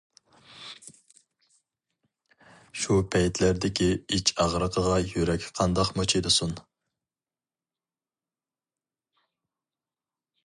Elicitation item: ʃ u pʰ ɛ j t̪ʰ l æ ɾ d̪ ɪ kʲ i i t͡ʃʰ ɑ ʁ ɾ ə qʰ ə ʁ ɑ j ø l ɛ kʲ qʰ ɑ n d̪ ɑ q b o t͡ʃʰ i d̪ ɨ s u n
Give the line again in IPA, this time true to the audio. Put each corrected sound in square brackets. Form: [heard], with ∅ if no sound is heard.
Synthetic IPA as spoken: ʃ u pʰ ɛ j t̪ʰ l æ ɾ d̪ ɪ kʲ i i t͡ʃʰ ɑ ʁ ɾ ə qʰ ə ʁ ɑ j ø [ɾ] ɛ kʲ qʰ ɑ n d̪ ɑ q [m] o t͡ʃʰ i d̪ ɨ s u n